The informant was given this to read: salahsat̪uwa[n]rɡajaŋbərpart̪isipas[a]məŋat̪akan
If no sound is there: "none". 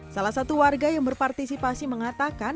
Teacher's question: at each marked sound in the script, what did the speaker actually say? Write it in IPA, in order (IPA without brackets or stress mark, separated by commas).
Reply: none, i